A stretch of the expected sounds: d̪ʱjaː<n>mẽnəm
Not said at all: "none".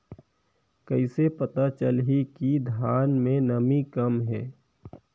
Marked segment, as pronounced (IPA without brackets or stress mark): n